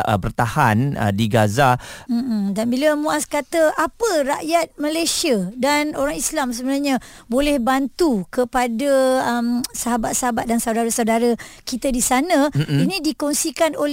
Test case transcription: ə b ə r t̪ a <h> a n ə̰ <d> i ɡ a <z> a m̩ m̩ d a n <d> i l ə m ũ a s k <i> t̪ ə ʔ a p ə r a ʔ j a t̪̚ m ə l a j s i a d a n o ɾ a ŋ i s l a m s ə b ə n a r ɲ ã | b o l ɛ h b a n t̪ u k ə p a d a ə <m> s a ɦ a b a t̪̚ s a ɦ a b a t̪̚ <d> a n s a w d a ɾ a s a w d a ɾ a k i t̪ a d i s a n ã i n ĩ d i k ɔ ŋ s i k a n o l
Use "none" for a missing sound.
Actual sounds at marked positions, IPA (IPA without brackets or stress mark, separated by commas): h, d, z, b, a, m, d